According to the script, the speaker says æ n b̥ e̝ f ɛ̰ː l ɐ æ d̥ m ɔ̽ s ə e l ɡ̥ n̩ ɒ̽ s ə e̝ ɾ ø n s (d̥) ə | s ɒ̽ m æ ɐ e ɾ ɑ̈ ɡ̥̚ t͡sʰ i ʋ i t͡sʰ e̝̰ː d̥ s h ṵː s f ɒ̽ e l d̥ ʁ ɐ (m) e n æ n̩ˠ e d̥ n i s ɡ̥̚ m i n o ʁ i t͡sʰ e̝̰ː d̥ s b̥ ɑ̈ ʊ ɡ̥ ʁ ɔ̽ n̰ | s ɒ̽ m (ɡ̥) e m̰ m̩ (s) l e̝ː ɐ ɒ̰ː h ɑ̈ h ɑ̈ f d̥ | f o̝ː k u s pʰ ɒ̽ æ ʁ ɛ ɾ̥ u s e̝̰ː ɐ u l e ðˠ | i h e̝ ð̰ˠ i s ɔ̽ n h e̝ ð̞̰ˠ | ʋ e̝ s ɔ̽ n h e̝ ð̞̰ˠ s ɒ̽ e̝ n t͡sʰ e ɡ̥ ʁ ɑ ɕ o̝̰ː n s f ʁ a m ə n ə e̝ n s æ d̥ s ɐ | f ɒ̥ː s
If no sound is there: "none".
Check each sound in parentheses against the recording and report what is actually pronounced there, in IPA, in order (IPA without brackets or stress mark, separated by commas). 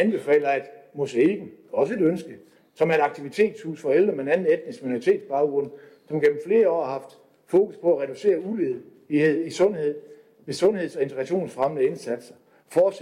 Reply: ɡ̥, m, ɡ̥, f